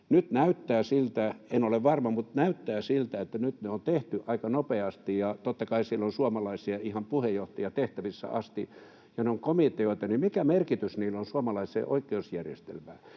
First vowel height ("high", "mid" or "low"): high